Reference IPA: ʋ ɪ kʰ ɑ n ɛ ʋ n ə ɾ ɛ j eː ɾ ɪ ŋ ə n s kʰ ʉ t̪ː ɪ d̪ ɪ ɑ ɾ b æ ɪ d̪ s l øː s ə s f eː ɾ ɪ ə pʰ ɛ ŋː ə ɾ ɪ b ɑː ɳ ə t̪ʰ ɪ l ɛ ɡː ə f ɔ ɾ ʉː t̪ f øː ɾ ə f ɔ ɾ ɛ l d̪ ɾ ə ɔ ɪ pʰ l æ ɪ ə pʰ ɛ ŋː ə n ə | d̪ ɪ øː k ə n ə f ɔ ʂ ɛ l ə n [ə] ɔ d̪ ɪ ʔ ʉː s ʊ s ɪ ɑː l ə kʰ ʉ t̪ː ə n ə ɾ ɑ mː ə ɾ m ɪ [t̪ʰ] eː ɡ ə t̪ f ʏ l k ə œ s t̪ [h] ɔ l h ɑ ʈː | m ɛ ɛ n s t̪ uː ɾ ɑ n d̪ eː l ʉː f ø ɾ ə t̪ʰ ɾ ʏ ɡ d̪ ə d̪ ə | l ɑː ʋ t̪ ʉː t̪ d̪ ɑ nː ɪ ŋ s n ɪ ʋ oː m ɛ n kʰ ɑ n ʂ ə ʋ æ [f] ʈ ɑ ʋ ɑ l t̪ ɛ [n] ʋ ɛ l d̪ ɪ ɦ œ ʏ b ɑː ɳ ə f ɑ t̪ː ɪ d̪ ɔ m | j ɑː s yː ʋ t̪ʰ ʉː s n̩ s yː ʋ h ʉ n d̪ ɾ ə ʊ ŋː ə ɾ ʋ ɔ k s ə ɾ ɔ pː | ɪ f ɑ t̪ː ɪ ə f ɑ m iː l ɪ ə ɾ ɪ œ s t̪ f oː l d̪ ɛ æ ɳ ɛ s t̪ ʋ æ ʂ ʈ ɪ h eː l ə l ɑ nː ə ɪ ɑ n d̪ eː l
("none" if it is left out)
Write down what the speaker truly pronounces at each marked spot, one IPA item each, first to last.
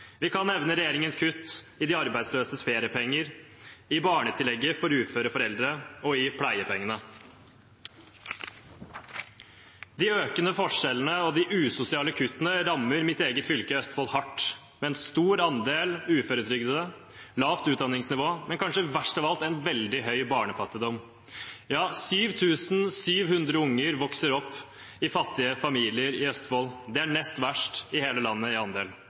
ə, t̪, f, ʂ, n

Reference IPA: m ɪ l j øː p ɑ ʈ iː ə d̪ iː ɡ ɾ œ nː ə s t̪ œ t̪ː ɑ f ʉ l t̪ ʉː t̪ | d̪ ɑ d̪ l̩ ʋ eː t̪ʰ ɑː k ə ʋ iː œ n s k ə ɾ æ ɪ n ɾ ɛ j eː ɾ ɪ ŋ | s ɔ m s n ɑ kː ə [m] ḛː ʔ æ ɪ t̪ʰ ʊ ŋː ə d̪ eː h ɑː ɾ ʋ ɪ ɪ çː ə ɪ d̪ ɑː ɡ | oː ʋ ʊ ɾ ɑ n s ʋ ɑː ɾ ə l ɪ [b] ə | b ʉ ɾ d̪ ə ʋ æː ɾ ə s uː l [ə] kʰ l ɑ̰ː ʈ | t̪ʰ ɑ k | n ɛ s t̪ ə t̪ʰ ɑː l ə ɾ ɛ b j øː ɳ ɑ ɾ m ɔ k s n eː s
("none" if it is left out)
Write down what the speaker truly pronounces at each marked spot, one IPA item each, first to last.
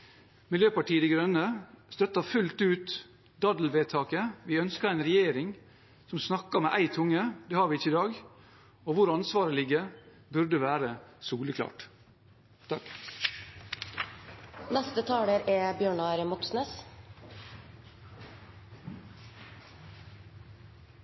m, ɡ, ə

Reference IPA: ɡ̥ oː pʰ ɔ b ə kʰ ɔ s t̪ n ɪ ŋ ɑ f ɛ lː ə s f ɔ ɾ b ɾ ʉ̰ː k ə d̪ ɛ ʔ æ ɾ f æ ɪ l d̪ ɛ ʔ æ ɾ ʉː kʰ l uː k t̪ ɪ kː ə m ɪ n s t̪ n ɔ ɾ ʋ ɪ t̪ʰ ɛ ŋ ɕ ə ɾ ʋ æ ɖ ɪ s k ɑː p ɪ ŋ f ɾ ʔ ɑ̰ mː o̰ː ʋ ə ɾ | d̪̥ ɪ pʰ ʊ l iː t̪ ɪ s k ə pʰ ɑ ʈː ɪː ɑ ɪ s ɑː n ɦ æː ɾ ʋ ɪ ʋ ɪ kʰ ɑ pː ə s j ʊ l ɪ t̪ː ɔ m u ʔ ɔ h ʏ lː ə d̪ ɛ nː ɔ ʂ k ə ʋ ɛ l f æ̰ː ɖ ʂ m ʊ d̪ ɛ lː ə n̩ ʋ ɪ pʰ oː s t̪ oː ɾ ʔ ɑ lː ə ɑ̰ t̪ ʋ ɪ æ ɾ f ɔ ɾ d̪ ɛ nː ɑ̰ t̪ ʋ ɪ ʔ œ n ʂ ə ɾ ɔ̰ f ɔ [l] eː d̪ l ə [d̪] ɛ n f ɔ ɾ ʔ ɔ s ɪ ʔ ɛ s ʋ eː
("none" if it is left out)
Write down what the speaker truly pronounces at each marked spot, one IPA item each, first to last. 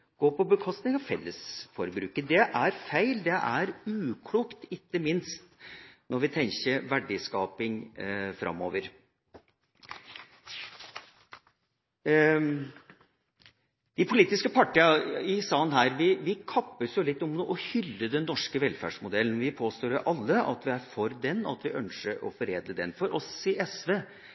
ɾ, d̪

